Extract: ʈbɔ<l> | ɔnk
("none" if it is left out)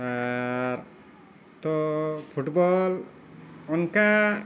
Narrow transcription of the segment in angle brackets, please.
l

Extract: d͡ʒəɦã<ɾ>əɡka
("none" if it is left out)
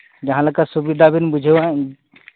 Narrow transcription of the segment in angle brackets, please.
l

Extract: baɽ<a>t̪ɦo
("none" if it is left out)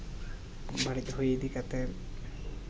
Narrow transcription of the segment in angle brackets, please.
i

